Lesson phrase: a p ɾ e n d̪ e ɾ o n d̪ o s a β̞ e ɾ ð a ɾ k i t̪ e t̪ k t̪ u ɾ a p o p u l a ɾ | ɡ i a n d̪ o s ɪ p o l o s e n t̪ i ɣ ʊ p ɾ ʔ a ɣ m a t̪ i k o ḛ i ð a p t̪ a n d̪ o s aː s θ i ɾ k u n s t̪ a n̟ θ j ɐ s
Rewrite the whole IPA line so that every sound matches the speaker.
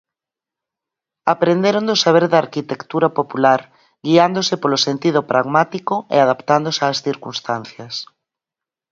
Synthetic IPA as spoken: a p ɾ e n d̪ e ɾ o n d̪ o s a β̞ e ɾ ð a ɾ k i t̪ e k t̪ u ɾ a p o p u l a ɾ | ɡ i a n d̪ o s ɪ p o l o s e n t̪ i ð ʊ p ɾ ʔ a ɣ m a t̪ i k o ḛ a ð a p t̪ a n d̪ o s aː s θ i ɾ k u n s t̪ a n̟ θ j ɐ s

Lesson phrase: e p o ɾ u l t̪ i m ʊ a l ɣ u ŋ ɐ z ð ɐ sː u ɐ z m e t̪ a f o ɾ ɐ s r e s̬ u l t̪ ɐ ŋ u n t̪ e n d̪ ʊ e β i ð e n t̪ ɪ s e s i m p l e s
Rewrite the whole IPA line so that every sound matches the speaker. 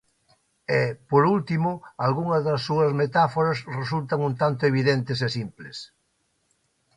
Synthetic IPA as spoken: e p o ɾ u l t̪ i m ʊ a l ɣ u ŋ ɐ z ð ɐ sː u ɐ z m e t̪ a f o ɾ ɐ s r e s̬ u l t̪ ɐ ŋ u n t̪ a n t̪ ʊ e β i ð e n t̪ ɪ s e s i m p l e s

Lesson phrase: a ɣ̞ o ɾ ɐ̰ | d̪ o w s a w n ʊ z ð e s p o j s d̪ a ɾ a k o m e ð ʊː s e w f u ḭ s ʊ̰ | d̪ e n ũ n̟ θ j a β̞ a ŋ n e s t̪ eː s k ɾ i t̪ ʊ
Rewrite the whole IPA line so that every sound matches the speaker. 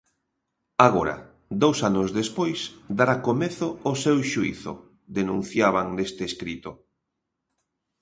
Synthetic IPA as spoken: a ɣ̞ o ɾ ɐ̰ | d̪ o w s a n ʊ z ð e s p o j s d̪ a ɾ a k o m e θ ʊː s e w ʃ u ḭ θ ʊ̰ | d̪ e n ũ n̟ θ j a β̞ a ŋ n e s t̪ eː s k ɾ i t̪ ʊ

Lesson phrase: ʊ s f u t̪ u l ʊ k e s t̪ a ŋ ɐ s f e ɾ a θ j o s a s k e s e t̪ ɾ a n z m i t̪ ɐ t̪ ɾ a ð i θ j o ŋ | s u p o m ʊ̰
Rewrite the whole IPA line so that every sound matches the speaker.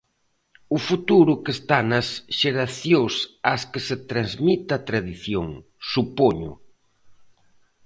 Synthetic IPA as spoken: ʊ f u t̪ u ɾ ʊ k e s t̪ a n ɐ s ʃ e ɾ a θ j o s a s k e s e t̪ ɾ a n z m i t̪ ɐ t̪ ɾ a ð i θ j o ŋ | s u p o ɲ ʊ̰

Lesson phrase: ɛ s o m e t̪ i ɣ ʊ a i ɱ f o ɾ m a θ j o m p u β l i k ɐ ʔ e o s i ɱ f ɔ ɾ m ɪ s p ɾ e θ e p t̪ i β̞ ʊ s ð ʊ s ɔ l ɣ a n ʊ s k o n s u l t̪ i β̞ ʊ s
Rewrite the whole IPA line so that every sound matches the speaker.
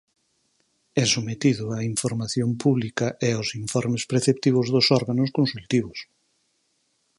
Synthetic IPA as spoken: ɛ s o m e t̪ i ð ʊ a i ɱ f o ɾ m a θ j o m p u β l i k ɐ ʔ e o s i ɱ f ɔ ɾ m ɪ s p ɾ e θ e p t̪ i β̞ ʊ z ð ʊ s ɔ ɾ ɣ a n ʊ s k o n s u l t̪ i β̞ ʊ s

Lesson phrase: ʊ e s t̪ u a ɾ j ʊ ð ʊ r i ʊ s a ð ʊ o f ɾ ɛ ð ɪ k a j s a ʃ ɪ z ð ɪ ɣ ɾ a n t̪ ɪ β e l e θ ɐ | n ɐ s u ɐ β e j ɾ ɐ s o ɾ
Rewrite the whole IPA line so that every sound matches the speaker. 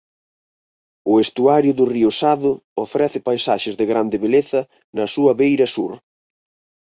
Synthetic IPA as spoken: ʊ e s t̪ u a ɾ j ʊ ð ʊ r i ʊ s a ð ʊ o f ɾ ɛ θ ɪ p a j s a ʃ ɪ z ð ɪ ɣ ɾ a n d̪ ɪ β e l e θ ɐ | n ɐ s u ɐ β e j ɾ ɐ s u ɾ

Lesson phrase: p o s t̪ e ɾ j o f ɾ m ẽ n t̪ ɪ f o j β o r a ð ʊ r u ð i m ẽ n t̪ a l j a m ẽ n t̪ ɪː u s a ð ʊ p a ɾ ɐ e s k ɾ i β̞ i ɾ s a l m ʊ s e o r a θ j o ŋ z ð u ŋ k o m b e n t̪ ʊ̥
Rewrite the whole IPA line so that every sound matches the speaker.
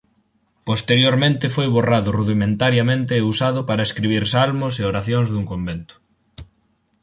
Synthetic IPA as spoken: p o s t̪ e ɾ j o ɾ m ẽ n t̪ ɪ f o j β o r a ð ʊ r u ð i m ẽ n t̪ a ɾ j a m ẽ n t̪ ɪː u s a ð ʊ p a ɾ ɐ e s k ɾ i β̞ i ɾ s a l m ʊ s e o ɾ a θ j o ŋ z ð u ŋ k o m b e n t̪ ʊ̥

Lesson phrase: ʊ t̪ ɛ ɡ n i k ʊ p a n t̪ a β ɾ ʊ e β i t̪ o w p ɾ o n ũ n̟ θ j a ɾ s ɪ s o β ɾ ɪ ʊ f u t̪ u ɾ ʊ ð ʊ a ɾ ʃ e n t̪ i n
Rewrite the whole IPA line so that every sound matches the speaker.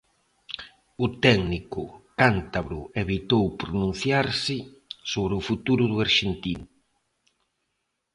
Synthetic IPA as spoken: ʊ t̪ ɛ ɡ n i k ʊ k a n t̪ a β ɾ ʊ e β i t̪ o w p ɾ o n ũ n̟ θ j a ɾ s ɪ s o β ɾ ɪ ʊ f u t̪ u ɾ ʊ ð ʊ a ɾ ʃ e n t̪ i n

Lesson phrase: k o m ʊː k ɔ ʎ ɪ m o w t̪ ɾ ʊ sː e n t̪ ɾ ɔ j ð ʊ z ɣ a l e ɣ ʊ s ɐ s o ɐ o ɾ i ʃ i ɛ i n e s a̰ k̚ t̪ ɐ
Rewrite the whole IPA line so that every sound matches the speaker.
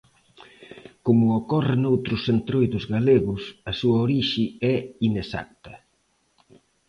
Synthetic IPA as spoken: k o m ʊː k ɔ r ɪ n o w t̪ ɾ ʊ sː e n t̪ ɾ o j ð ʊ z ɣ a l e ɣ ʊ s ɐ s u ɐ o ɾ i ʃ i ɛ i n e s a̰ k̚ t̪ ɐ

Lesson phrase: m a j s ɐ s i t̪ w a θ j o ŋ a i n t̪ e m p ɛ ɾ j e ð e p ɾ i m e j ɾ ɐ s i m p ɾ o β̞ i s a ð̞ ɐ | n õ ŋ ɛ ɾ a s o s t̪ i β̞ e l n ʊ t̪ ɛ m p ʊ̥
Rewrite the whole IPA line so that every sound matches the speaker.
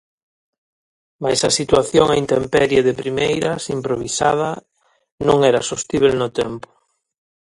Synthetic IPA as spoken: m a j s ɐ s i t̪ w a θ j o ŋ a i n t̪ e m p ɛ ɾ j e ð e p ɾ i m e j ɾ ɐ s i m p ɾ o β̞ i s a ð̞ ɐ | n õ ŋ ɛ ɾ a s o s t̪ i β̞ e l n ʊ t̪ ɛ m p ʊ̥

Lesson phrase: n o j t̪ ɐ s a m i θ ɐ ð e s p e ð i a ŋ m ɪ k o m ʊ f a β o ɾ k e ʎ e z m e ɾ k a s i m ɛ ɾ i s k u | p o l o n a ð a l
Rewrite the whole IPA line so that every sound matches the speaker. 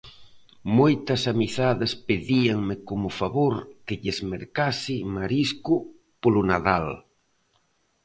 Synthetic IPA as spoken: m o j t̪ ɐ s a m i θ a ð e s p e ð i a ŋ m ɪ k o m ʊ f a β o ɾ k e ʎ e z m e ɾ k a s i m a ɾ i s k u | p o l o n a ð a l

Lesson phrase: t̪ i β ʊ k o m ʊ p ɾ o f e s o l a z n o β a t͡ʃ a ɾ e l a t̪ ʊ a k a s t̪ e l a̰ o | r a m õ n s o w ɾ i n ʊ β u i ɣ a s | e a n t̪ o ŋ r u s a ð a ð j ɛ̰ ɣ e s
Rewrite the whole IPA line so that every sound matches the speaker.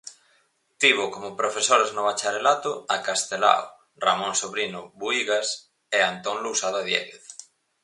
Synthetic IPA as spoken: t̪ i β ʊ k o m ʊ p ɾ o f e s o ɾ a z n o β a t͡ʃ a ɾ e l a t̪ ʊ a k a s t̪ e l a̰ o | r a m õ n s o β ɾ i n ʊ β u i ɣ a s | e a n t̪ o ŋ l u s a ð a ð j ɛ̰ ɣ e θ

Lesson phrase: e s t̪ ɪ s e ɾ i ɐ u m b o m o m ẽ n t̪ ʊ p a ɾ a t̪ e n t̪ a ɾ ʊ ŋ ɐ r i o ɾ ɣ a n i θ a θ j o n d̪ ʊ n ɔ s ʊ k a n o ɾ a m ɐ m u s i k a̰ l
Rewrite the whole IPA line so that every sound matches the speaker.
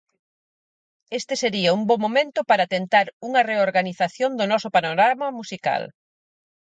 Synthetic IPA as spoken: e s t̪ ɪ s e ɾ i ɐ u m b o m o m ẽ n t̪ ʊ p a ɾ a t̪ e n t̪ a ɾ u ŋ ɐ r e o ɾ ɣ a n i θ a θ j o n d̪ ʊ n ɔ s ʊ p a n o ɾ a m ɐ m u s i k a̰ l

